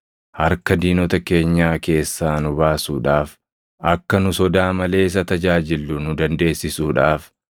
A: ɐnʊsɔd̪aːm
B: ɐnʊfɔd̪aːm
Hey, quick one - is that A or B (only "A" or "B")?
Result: A